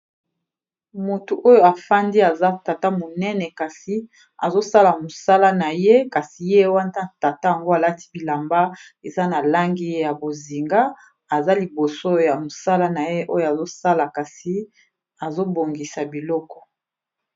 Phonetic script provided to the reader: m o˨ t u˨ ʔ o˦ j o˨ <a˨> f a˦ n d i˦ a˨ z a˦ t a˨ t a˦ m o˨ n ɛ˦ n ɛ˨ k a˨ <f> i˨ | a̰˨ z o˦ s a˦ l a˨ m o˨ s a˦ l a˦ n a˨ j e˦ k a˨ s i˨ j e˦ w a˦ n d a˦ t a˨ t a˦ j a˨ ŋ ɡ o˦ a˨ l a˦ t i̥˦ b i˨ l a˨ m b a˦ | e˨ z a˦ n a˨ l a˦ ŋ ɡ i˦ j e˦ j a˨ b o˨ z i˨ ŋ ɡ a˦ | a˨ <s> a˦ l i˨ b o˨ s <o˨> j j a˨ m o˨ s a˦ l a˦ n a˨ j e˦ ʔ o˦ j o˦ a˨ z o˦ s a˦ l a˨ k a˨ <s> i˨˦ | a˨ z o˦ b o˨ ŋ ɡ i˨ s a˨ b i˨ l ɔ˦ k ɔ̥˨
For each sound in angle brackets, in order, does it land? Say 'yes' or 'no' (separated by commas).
yes, no, no, no, yes